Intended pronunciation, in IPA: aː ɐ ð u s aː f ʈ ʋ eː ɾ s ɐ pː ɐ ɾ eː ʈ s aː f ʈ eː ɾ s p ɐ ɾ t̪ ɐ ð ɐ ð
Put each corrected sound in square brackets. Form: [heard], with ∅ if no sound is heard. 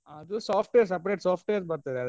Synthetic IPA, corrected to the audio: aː ɐ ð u s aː f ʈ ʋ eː ɾ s ɐ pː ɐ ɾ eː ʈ s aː f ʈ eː ɾ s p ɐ ɾ t̪ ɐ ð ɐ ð